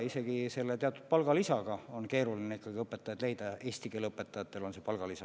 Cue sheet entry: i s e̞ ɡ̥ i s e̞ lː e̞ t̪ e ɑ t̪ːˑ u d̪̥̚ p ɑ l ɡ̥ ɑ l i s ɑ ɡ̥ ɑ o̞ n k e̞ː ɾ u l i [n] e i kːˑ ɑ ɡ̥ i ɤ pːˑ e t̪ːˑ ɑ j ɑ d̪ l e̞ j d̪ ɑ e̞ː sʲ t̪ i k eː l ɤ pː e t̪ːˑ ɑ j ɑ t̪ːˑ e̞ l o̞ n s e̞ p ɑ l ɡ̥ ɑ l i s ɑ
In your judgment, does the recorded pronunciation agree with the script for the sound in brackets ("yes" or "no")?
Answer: yes